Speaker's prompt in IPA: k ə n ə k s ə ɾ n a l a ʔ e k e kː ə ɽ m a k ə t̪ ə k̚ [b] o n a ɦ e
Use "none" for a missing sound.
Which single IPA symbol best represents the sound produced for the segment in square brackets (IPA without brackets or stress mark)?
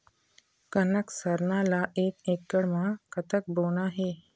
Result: b